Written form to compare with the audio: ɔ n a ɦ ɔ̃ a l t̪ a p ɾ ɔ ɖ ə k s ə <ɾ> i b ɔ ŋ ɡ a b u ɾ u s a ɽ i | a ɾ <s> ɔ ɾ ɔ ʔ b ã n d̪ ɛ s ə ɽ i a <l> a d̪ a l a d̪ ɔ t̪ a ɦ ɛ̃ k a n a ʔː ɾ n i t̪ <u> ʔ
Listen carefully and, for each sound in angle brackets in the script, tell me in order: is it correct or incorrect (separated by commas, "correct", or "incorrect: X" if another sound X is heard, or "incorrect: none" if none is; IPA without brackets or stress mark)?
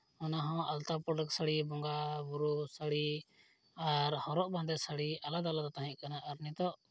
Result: incorrect: ɽ, incorrect: h, correct, incorrect: ɔ